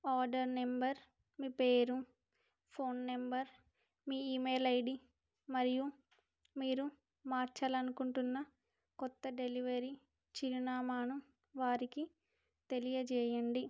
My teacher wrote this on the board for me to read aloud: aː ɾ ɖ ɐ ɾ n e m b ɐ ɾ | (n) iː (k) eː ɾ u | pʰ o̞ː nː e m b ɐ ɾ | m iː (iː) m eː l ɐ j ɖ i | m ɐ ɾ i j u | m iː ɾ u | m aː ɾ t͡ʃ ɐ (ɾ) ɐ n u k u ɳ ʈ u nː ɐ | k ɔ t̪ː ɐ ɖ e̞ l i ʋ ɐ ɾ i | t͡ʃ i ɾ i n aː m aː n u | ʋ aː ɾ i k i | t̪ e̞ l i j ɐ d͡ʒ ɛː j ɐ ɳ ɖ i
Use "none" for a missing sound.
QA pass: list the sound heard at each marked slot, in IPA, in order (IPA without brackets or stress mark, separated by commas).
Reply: m, p, iː, l